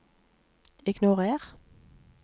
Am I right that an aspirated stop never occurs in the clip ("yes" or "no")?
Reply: yes